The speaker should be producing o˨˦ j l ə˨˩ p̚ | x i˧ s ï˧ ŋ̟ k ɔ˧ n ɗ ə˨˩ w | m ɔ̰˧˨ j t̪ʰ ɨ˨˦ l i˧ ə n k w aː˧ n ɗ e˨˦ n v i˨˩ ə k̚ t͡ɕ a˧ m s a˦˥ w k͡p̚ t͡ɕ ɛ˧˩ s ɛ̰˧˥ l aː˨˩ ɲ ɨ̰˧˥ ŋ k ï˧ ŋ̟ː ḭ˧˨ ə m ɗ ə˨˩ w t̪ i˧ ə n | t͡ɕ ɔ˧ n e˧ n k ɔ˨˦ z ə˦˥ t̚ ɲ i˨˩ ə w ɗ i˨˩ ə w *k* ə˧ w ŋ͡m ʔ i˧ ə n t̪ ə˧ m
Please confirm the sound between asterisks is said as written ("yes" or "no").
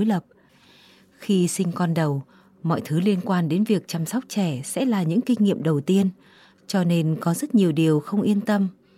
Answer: no